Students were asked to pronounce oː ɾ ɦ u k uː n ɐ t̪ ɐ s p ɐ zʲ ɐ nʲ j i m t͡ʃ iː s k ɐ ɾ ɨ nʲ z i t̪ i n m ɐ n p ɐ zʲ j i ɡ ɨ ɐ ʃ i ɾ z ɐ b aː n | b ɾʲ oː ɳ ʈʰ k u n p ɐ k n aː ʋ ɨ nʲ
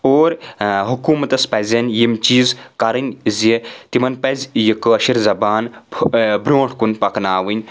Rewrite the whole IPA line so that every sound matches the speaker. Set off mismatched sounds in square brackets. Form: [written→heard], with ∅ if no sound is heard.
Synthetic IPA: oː ɾ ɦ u k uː [n→m] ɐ t̪ ɐ s p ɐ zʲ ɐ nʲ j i m t͡ʃ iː [s→z] k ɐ ɾ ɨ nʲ z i t̪ i [n→∅] m ɐ n p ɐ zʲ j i [ɡ→k] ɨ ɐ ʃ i ɾ z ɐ b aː n | b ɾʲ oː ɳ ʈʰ k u n p ɐ k n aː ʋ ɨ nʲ